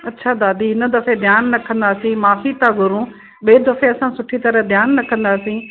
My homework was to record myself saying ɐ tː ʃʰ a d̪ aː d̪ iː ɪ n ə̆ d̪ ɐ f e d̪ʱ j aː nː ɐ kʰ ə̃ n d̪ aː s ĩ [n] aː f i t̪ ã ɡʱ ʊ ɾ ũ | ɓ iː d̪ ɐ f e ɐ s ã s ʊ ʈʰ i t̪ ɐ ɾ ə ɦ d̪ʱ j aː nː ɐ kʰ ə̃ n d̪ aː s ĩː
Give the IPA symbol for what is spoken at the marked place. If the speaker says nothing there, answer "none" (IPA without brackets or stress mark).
m